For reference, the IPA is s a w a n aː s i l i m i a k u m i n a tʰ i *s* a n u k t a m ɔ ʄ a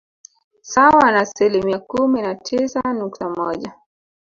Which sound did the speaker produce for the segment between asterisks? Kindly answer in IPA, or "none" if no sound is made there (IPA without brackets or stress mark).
s